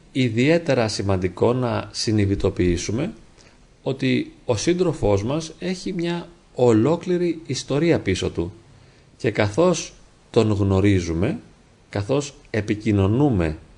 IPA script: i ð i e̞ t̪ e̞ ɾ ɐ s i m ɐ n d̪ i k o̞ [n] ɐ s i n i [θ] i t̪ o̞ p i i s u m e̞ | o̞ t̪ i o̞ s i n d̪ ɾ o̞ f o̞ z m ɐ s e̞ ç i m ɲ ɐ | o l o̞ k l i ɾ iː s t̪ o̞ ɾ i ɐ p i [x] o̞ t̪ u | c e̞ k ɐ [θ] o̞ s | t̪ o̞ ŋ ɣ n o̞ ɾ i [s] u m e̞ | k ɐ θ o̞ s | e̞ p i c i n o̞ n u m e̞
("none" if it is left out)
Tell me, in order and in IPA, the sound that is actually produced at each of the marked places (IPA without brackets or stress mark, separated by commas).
n, ð, s, θ, z